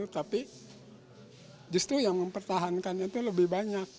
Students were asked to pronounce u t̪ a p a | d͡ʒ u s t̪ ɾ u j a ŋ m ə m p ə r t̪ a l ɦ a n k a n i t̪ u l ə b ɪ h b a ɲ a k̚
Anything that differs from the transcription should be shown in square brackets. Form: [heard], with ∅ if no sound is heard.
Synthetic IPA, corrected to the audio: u t̪ a p [i] | d͡ʒ u s t̪ ɾ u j a ŋ m ə m p ə r t̪ a [∅] ɦ a n k a n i t̪ u l ə b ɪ h b a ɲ a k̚